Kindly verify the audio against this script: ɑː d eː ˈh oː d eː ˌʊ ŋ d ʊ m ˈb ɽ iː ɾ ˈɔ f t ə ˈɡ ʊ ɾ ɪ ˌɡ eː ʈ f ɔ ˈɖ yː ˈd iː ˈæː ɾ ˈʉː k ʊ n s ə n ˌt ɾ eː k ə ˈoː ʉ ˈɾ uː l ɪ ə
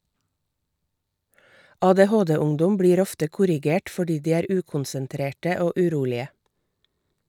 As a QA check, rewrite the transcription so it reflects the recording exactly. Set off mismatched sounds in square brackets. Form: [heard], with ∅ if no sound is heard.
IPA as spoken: ɑː d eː ˈh oː d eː ˌʊ ŋ d ʊ m ˈb ɽ iː ɾ ˈɔ f t ə [ˈk] ʊ ɾ ɪ ˌɡ eː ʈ f ɔ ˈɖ [iː] ˈd iː ˈæː ɾ ˈʉː k ʊ n s ə n ˌt ɾ eː [ʈ] ə ˈoː ʉ ˈɾ uː l ɪ ə